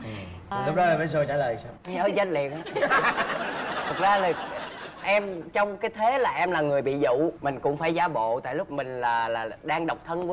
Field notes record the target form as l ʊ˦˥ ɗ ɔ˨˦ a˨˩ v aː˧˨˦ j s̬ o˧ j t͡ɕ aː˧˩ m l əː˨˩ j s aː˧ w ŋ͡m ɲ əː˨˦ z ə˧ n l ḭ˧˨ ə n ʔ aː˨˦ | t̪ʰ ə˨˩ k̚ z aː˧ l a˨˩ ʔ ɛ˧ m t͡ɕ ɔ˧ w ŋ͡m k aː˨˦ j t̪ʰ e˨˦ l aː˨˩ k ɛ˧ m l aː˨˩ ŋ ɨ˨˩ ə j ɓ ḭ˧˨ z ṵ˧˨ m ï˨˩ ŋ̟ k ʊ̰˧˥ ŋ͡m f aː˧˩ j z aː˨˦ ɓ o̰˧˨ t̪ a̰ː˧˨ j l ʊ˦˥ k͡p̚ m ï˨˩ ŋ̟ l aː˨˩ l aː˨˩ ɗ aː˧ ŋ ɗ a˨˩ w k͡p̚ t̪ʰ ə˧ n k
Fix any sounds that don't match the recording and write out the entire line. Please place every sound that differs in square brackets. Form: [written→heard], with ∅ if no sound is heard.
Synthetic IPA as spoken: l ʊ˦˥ ɗ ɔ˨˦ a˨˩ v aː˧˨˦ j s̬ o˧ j t͡ɕ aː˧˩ [m→∅] l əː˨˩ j s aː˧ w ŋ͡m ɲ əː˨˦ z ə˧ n l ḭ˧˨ ə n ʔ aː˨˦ | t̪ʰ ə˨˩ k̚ z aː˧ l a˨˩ ʔ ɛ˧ m t͡ɕ ɔ˧ w ŋ͡m k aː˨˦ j t̪ʰ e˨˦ l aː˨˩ [k→ʔ] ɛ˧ m l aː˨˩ ŋ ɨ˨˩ ə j ɓ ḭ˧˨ z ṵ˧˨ m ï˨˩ ŋ̟ k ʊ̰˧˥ ŋ͡m f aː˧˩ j z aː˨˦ ɓ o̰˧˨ t̪ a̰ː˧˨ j l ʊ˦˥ k͡p̚ m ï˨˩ ŋ̟ l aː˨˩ l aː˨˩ ɗ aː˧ ŋ ɗ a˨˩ w k͡p̚ t̪ʰ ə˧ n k